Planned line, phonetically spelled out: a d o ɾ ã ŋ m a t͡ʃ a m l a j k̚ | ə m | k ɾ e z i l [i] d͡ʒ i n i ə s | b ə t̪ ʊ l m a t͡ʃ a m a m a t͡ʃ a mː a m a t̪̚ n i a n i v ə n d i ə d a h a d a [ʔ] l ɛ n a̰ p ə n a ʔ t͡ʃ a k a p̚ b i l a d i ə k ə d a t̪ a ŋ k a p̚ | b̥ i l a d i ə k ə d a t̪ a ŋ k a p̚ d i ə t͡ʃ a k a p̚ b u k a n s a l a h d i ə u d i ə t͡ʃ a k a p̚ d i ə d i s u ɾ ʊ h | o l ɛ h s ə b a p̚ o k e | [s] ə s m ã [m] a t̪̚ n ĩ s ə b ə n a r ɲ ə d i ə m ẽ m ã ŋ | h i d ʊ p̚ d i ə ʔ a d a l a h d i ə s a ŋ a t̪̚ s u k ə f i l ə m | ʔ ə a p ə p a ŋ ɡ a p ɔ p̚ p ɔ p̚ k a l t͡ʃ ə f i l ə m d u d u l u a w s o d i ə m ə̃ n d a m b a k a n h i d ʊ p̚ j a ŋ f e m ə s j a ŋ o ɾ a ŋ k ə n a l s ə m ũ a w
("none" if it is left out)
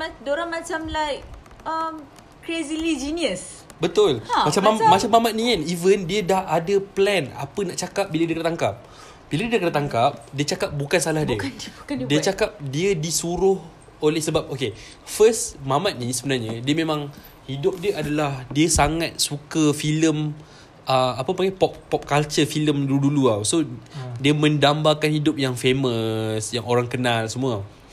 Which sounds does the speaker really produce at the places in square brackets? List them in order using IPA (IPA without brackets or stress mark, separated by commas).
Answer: i, p, f, m